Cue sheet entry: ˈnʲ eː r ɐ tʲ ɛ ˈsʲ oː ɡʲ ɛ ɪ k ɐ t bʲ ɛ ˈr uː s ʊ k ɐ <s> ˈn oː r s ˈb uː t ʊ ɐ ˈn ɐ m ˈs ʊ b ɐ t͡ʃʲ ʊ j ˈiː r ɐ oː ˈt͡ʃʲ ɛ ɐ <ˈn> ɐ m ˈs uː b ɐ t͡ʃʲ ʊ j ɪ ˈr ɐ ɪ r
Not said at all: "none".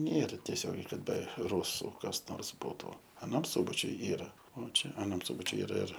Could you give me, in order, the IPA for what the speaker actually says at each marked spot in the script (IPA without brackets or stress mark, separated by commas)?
s, n